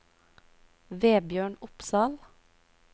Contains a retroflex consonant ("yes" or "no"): yes